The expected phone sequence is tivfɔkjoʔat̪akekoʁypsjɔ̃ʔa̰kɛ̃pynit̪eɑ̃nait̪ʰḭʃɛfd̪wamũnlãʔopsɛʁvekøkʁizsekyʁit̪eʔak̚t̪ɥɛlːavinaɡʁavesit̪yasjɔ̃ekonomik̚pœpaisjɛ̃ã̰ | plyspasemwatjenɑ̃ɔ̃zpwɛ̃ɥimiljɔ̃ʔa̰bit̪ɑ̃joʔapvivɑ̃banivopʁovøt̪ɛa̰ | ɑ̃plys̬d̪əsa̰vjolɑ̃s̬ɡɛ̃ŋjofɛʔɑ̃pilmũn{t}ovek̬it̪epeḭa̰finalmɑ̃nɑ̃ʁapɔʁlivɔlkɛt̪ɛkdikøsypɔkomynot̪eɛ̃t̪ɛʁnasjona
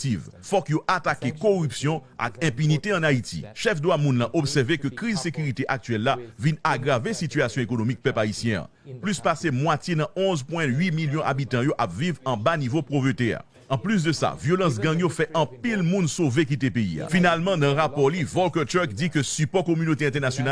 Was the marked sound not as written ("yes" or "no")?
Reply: yes